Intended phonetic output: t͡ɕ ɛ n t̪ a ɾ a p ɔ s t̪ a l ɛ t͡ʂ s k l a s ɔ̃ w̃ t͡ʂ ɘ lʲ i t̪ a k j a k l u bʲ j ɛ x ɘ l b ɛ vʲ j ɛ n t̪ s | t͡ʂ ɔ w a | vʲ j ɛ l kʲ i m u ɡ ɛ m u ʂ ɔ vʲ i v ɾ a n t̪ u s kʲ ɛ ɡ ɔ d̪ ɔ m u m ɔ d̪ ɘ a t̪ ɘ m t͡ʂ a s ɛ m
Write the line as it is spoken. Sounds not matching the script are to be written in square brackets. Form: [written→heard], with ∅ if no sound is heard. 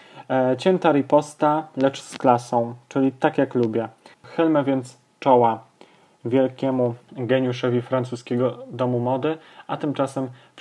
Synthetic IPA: t͡ɕ ɛ n t̪ a ɾ [a→i] p ɔ s t̪ a l ɛ t͡ʂ s k l a s ɔ̃ w̃ t͡ʂ ɘ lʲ i t̪ a k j a k l u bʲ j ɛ x ɘ l [b→m] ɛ vʲ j ɛ n t̪ s | t͡ʂ ɔ w a | vʲ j ɛ l kʲ [i→ɛ] m u ɡ ɛ [m→ɲ] u ʂ ɔ vʲ i [v→f] ɾ a n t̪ u s kʲ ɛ ɡ ɔ d̪ ɔ m u m ɔ d̪ ɘ a t̪ ɘ m t͡ʂ a s ɛ m